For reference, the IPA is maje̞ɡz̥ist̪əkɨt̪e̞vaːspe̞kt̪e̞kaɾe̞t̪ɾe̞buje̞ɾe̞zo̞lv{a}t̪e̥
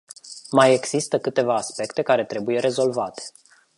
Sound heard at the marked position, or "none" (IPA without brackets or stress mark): a